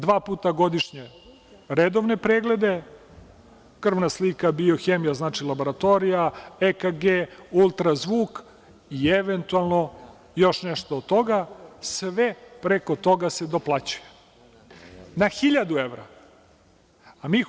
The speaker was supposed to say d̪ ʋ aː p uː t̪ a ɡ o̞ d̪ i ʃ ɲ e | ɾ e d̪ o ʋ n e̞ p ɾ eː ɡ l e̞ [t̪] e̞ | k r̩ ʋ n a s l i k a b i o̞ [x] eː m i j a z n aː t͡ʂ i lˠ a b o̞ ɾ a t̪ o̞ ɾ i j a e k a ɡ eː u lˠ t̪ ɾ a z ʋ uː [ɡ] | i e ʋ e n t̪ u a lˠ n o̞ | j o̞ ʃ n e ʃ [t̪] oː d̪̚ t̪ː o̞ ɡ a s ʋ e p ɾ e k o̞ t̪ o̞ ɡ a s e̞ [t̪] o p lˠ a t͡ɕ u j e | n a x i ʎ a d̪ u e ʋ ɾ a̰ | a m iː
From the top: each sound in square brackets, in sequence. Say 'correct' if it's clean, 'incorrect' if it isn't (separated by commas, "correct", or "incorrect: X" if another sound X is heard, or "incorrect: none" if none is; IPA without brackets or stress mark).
incorrect: d̪, correct, incorrect: k, correct, incorrect: d̪